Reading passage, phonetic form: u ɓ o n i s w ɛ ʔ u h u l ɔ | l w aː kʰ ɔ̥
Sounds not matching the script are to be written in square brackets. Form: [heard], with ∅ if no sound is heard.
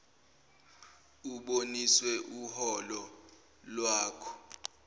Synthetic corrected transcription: u ɓ o n i s w ɛ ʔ u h [ɔ] l ɔ | l w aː kʰ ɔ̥